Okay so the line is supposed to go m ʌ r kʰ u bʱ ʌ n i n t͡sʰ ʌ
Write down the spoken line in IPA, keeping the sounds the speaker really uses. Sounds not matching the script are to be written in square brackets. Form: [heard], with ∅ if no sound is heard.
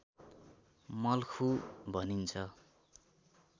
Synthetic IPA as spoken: m ʌ [l] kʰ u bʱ ʌ n i n t͡sʰ ʌ